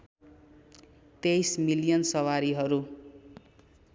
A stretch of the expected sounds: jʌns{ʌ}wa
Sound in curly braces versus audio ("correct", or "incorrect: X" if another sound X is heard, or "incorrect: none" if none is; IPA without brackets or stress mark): correct